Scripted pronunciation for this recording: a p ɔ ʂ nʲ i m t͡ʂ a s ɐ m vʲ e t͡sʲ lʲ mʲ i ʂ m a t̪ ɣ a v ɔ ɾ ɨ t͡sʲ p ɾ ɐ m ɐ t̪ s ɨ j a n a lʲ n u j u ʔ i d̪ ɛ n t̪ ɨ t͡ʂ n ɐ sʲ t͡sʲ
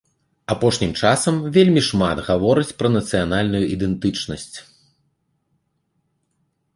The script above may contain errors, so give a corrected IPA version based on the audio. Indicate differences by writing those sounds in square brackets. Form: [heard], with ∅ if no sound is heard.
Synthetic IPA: a p ɔ ʂ nʲ i m t͡ʂ a s ɐ m vʲ e [∅] lʲ mʲ i ʂ m a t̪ ɣ a v ɔ ɾ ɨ t͡sʲ p ɾ ɐ [n] ɐ t̪ s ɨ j a n a lʲ n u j u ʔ i d̪ ɛ n t̪ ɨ t͡ʂ n ɐ sʲ t͡sʲ